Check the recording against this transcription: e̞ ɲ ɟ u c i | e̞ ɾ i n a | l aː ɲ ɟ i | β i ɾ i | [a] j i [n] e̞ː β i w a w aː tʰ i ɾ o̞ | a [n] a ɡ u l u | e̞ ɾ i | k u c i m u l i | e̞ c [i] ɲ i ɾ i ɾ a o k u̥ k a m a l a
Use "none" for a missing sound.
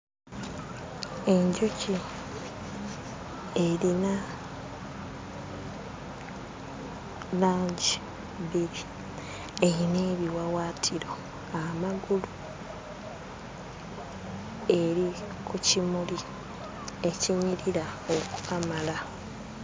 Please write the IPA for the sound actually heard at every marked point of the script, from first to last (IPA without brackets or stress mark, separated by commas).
e, n, m, i